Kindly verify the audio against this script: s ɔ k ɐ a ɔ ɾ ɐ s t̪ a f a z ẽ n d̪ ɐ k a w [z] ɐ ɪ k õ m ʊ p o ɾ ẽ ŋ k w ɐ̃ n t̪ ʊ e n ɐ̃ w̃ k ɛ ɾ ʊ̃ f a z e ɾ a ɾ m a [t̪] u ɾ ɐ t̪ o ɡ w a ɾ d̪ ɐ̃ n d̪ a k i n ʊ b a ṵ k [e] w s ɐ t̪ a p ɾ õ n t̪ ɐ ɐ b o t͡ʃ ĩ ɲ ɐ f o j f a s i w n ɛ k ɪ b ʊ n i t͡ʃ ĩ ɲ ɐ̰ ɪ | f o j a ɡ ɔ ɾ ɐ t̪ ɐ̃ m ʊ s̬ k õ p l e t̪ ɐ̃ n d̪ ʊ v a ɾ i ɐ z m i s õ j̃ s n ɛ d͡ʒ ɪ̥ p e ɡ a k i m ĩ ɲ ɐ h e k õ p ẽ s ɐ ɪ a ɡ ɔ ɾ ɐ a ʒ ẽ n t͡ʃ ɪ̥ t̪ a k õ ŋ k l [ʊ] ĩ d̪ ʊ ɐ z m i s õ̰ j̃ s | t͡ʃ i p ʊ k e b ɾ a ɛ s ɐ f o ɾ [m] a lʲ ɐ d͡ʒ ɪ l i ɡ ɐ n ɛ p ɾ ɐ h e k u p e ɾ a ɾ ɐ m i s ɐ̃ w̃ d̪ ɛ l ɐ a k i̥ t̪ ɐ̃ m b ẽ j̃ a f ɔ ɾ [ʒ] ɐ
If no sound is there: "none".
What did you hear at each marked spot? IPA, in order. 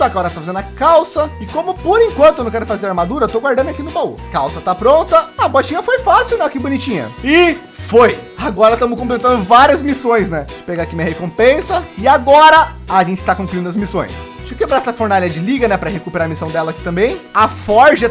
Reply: s, d̪, a, u, n, ʒ

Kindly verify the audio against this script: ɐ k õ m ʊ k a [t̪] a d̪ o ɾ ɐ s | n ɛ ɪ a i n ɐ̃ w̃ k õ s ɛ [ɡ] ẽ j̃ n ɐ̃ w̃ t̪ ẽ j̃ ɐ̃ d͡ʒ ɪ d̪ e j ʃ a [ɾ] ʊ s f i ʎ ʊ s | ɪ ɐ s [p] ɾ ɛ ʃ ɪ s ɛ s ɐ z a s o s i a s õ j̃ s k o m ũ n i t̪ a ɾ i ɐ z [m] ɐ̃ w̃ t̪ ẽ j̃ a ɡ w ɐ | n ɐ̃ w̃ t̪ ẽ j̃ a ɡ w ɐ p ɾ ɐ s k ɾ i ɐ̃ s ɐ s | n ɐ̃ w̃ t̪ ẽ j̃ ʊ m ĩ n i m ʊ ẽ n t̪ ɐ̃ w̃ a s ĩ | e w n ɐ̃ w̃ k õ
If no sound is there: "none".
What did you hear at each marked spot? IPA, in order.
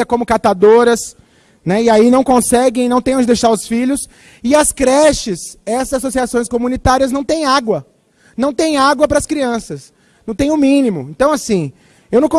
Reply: t̪, ɡ, ɾ, k, n

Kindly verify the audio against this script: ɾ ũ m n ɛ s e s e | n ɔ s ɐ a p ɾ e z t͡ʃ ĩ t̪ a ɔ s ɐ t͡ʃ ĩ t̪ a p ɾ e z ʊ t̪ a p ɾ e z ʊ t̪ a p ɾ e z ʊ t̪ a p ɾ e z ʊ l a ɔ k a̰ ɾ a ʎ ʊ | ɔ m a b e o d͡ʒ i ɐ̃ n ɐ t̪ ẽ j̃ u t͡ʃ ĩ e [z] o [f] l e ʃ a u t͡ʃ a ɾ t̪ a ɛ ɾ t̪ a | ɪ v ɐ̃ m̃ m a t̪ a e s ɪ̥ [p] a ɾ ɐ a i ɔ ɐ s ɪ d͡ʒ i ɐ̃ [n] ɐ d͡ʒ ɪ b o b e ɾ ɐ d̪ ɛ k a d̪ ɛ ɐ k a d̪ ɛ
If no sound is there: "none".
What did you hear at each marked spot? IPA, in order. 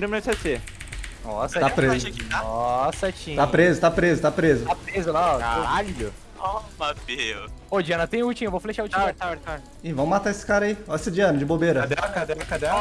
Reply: v, f, k, n

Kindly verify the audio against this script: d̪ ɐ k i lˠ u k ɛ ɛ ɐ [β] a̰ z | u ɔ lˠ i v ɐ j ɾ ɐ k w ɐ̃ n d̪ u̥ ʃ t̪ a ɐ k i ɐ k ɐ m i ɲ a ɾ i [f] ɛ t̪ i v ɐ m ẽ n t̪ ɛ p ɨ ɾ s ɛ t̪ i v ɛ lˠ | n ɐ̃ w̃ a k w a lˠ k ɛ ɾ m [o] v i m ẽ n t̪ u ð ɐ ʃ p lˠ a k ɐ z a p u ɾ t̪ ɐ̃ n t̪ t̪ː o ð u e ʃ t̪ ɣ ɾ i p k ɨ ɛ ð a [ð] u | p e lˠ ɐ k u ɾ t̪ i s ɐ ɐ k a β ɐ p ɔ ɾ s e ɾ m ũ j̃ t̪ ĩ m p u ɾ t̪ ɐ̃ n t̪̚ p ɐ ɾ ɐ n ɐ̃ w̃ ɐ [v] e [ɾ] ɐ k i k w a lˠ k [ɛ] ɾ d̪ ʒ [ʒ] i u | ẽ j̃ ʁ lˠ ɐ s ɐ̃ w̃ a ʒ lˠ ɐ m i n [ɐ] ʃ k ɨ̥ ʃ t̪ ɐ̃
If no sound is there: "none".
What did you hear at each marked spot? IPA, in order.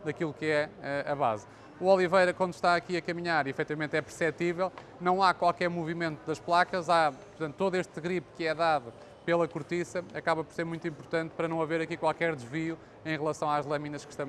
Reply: β, f, u, ð, v, ɾ, ɛ, v, ɐ

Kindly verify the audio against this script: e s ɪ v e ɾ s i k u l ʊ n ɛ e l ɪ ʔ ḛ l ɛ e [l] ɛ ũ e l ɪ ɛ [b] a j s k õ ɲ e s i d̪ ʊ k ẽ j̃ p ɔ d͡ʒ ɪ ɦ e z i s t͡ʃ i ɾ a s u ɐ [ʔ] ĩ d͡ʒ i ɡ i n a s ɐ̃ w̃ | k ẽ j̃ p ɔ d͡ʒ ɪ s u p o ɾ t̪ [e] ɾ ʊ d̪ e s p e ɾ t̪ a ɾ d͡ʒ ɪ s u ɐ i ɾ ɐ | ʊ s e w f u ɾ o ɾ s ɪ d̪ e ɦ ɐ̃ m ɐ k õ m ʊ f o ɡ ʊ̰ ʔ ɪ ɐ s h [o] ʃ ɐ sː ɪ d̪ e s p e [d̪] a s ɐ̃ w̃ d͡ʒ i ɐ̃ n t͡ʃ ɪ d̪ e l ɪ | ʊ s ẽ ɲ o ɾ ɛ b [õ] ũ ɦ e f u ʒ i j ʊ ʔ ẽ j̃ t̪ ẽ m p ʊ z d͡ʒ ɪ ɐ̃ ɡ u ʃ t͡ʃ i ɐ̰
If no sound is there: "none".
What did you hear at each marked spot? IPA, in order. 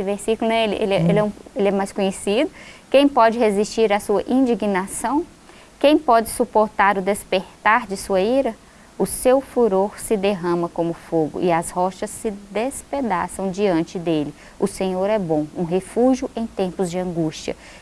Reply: l, m, ʔ, a, ɔ, d̪, õ

